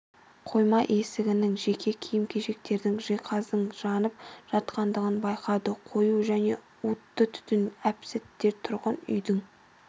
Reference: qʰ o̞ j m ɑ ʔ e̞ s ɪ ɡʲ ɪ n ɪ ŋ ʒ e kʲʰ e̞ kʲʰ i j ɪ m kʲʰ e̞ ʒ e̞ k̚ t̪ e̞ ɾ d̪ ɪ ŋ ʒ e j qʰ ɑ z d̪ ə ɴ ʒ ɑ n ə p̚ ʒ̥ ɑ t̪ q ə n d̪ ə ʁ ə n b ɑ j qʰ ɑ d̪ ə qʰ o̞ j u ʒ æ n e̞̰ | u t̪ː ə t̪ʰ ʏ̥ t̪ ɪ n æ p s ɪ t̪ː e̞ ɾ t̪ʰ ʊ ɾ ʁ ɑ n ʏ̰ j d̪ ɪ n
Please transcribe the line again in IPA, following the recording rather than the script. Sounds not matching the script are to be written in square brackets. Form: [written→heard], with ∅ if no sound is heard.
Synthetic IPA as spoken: qʰ o̞ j m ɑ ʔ e̞ s ɪ ɡʲ ɪ n ɪ ŋ ʒ e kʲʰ e̞ kʲʰ i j ɪ m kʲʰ e̞ ʒ e̞ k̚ t̪ e̞ ɾ d̪ ɪ ŋ ʒ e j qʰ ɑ z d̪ ə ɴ ʒ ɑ n ə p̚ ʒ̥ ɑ t̪ q [ə→ɑ] n d̪ ə ʁ ə n b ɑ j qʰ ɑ d̪ ə qʰ o̞ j u ʒ æ n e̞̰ | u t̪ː ə t̪ʰ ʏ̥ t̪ ɪ n æ p s ɪ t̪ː e̞ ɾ t̪ʰ ʊ ɾ ʁ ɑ n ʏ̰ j d̪ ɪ [n→ŋ]